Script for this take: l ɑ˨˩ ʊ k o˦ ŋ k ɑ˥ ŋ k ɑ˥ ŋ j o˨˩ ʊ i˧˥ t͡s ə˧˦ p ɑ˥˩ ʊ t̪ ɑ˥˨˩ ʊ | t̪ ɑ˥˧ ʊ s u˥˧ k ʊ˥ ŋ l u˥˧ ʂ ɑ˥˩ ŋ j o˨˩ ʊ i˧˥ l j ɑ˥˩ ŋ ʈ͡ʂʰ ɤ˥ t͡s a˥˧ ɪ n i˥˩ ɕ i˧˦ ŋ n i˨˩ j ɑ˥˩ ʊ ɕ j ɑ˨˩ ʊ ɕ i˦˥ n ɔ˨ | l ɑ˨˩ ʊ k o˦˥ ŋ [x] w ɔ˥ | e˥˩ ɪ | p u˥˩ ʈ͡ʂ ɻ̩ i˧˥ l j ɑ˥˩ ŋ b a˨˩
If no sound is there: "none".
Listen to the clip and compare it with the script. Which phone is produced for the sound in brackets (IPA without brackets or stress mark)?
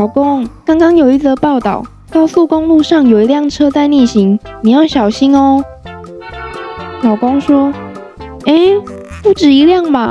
ʂ